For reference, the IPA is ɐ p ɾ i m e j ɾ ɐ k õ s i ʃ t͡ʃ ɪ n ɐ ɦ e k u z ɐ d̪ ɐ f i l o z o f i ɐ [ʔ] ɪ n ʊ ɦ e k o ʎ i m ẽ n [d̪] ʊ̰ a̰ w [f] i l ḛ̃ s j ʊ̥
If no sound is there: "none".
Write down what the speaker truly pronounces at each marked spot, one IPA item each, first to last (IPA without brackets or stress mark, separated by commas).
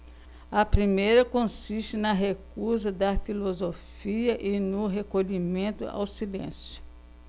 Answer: ʔ, t̪, s